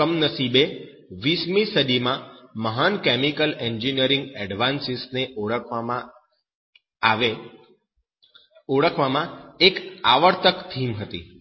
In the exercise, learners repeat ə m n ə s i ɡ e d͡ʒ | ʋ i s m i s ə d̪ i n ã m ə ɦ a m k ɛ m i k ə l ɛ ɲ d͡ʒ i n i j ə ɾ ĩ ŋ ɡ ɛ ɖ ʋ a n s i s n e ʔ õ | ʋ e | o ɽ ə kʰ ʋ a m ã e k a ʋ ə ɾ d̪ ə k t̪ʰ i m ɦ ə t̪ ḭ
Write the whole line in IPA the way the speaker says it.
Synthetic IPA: ə m n ə s i b e | ʋ i s m i s ə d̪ i m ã m ə ɦ a n k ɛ m i k ə l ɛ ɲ d͡ʒ i n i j ə ɾ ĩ ŋ ɡ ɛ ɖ ʋ a n s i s n e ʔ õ | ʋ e | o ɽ ə kʰ ʋ a m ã e k a ʋ ə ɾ t̪ ə k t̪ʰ i m ɦ ə t̪ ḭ